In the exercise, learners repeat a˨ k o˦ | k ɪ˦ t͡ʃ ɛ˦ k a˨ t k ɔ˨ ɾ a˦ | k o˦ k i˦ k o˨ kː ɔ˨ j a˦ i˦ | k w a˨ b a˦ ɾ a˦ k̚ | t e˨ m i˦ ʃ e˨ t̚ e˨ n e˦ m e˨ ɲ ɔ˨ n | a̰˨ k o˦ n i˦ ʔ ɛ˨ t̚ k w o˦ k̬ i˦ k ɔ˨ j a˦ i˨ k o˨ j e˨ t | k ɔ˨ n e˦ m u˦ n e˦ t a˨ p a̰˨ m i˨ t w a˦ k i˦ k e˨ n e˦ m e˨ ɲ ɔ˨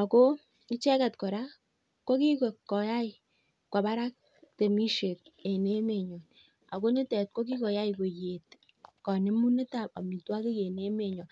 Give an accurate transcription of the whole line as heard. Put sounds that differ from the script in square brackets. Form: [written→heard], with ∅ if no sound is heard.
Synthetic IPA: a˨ k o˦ | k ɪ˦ t͡ʃ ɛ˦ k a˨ t k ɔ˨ ɾ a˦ | k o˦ k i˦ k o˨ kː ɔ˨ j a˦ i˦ | k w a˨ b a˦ ɾ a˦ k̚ | t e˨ m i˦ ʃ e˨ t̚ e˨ n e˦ m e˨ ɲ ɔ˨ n | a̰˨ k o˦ n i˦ [ʔ→t] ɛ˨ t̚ k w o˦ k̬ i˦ k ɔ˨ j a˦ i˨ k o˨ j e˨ t | k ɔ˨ n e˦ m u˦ n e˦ t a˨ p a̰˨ m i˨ t w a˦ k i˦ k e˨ n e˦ m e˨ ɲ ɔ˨